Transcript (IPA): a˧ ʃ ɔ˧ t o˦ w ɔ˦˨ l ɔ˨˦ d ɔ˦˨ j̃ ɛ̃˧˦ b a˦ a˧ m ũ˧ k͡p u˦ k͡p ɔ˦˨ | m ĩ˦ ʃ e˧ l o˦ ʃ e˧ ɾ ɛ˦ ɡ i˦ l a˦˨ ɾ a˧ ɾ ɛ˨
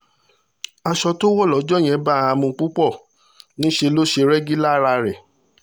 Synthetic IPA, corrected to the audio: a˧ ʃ ɔ˧ t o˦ w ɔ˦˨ l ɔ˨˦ d͡ʒ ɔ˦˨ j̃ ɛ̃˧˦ b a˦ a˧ m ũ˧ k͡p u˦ k͡p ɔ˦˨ | n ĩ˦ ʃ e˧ l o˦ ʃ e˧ ɾ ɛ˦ ɡ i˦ l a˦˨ ɾ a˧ ɾ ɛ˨